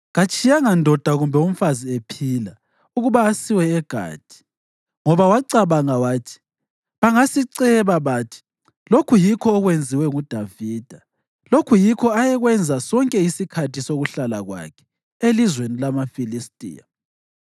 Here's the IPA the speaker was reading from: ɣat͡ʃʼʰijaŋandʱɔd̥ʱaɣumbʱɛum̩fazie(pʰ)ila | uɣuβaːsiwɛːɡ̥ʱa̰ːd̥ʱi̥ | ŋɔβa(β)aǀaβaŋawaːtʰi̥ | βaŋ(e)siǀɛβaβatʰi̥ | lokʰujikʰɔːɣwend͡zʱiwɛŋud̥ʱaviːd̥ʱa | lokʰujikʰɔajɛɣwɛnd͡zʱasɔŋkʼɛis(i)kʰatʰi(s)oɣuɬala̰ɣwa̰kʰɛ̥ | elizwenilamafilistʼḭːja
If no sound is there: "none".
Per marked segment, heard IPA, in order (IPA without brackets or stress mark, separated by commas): pʰ, w, a, i, s